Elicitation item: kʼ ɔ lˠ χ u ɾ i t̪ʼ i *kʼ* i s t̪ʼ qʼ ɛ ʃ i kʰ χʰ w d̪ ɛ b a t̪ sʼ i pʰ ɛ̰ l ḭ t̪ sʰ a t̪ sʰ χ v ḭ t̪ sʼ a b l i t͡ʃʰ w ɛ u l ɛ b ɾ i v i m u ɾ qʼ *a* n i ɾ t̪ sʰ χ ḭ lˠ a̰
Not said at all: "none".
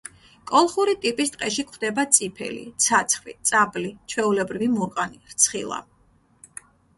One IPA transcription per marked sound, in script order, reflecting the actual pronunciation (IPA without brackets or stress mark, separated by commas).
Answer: pʼ, a